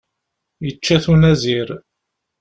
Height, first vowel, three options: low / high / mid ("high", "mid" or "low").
mid